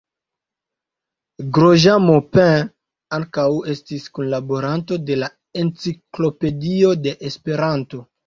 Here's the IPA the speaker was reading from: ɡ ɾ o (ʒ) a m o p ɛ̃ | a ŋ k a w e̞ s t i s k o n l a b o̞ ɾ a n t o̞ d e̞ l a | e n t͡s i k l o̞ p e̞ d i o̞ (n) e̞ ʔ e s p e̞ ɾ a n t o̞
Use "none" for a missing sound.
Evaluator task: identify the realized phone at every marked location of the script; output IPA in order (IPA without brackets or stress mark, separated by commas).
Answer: ʒ, d